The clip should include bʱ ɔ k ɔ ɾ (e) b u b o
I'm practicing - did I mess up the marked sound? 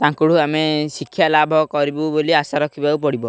yes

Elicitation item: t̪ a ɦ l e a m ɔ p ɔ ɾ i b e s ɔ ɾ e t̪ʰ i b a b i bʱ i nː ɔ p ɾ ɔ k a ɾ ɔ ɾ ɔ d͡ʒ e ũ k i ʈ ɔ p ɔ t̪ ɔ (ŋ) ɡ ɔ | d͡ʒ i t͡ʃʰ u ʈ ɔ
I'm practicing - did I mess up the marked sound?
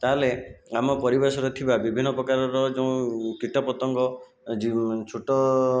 no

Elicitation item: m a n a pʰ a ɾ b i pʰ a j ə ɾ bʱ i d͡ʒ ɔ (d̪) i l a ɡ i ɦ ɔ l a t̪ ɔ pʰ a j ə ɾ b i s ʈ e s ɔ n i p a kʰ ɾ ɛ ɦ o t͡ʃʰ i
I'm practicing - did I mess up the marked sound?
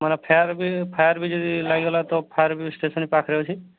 no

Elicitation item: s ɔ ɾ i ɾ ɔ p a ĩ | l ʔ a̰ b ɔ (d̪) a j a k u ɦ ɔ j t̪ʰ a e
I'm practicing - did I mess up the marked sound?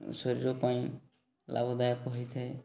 no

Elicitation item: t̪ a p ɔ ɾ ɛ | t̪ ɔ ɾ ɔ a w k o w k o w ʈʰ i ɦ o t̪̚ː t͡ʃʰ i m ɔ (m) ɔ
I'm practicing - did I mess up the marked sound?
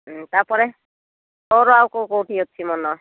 yes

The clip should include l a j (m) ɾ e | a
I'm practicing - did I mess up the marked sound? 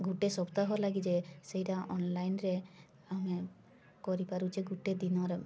yes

